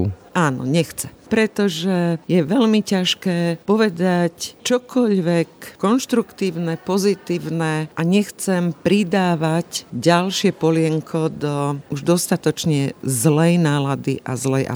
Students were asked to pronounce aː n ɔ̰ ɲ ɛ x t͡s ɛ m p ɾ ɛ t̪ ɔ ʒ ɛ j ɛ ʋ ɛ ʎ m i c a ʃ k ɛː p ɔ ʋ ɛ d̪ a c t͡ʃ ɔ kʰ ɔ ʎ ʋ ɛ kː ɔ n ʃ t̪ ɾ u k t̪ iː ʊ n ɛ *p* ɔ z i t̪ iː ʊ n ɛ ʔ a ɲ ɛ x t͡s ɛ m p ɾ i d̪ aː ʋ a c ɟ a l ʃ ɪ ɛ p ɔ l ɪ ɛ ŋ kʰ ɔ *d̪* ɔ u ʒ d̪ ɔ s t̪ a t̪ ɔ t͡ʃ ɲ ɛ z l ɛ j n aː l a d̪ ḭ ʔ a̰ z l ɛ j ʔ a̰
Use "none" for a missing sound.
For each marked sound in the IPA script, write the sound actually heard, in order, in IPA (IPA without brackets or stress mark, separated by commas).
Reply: p, d̪